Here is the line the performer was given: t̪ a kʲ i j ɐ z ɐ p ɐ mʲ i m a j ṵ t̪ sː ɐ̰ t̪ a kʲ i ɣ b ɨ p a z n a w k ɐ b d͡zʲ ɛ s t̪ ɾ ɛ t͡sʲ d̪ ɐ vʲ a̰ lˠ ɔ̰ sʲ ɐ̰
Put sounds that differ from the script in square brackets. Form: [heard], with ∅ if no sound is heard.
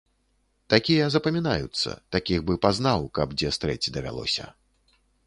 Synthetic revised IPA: t̪ a kʲ i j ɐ z ɐ p ɐ mʲ i [n] a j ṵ t̪ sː ɐ̰ t̪ a kʲ i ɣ b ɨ p a z n a w k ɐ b d͡zʲ ɛ s t̪ ɾ ɛ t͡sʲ d̪ ɐ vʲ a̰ lˠ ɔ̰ sʲ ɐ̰

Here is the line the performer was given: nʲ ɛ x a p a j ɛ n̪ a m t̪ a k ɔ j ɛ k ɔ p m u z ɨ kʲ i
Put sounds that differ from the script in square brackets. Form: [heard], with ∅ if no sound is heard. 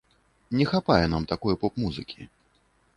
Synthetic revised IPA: nʲ ɛ x a p a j ɛ n̪ a m t̪ a k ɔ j ɛ [p] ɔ p m u z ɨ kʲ i

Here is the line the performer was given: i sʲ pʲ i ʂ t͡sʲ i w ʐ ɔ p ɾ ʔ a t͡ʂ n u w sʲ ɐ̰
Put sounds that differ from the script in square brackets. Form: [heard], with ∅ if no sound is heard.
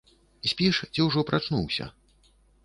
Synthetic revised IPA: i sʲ pʲ i ʂ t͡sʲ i w ʐ ɔ p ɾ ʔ a t͡ʂ n u w sʲ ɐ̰

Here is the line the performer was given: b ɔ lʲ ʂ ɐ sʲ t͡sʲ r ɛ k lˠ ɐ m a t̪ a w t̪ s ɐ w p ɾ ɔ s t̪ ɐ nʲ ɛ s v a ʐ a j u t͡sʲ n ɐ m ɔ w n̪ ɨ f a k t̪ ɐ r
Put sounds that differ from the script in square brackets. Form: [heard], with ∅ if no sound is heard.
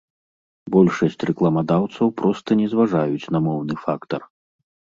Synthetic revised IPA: b ɔ lʲ ʂ ɐ sʲ t͡sʲ r ɛ k lˠ ɐ m a [d̪] a w t̪ s ɐ w p ɾ ɔ s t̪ ɐ nʲ ɛ [z] v a ʐ a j u t͡sʲ n ɐ m ɔ w n̪ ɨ f a k t̪ ɐ r

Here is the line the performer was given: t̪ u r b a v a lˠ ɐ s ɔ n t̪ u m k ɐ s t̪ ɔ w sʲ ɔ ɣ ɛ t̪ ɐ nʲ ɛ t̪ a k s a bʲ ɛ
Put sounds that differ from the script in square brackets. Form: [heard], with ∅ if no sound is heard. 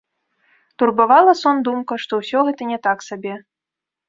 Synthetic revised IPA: t̪ u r b a v a lˠ ɐ s ɔ n [d̪] u m k ɐ [ʂ] t̪ ɔ w sʲ ɔ ɣ ɛ t̪ ɐ nʲ ɛ t̪ a k s a bʲ ɛ

